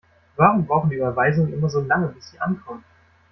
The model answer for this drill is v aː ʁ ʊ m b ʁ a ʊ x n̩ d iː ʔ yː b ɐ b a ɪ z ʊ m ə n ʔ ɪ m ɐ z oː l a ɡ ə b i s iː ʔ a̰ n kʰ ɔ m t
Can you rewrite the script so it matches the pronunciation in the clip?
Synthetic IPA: v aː ʁ ʊ m b ʁ a ʊ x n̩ d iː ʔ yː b ɐ v a ɪ z ʊ ŋ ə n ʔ ɪ m ɐ z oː l a ŋ ə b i s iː ʔ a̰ n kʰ ɔ m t